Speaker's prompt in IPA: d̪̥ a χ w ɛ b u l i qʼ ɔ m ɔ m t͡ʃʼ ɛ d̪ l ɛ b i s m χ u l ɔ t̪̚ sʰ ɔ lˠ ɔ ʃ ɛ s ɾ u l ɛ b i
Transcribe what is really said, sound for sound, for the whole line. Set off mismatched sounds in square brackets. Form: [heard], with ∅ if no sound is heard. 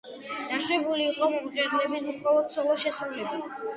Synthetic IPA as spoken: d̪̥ a [ʃ] w ɛ b u l [iː] qʼ ɔ m ɔ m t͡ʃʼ ɛ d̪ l ɛ b i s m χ [ɔ] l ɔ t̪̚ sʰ ɔ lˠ ɔ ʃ ɛ s ɾ u l ɛ b i